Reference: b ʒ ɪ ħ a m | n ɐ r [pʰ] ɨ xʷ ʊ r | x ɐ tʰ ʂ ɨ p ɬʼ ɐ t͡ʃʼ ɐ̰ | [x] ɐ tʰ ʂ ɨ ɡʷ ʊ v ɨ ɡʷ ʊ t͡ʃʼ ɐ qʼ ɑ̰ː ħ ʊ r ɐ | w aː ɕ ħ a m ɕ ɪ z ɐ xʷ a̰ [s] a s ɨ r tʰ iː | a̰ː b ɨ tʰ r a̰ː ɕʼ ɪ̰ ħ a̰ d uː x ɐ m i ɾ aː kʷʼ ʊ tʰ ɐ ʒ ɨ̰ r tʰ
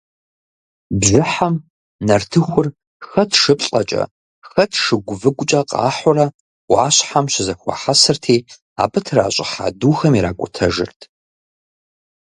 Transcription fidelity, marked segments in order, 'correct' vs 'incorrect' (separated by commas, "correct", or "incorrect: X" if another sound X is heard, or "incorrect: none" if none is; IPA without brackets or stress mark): incorrect: tʰ, correct, incorrect: ħ